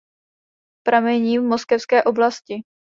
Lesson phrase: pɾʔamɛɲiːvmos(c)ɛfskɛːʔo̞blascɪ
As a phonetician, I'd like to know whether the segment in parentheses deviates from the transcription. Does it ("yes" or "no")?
yes